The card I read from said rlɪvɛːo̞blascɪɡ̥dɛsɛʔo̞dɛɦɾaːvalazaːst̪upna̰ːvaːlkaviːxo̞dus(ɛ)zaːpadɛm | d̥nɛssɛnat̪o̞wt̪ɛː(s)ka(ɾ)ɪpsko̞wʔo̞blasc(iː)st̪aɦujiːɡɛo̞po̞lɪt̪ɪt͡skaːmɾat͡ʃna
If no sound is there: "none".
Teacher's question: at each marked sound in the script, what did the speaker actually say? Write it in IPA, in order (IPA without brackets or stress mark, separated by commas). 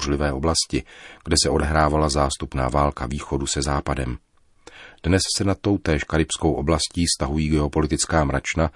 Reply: ɛ, ʃ, ɾ, iː